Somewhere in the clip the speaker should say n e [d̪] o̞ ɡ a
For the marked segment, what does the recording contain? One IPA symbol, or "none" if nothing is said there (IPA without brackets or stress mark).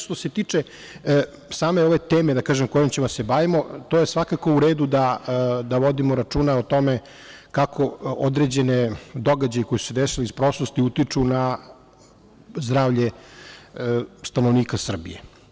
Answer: d̪